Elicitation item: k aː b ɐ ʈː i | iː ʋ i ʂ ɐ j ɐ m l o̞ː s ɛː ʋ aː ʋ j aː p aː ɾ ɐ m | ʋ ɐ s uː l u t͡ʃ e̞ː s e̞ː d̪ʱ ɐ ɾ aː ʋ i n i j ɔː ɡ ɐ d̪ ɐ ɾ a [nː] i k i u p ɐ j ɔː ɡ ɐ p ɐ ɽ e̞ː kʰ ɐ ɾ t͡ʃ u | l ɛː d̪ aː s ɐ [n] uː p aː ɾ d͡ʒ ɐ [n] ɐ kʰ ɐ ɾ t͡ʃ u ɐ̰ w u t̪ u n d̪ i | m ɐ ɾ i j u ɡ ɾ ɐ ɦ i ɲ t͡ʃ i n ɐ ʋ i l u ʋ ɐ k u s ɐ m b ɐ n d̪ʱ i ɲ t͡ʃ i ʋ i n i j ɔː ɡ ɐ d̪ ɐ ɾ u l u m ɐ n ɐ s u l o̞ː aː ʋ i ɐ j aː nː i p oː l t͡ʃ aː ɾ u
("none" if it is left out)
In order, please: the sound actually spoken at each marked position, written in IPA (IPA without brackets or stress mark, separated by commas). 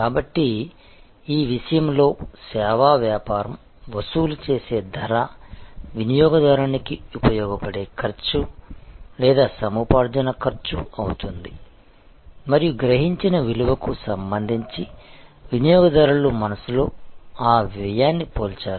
n, m, n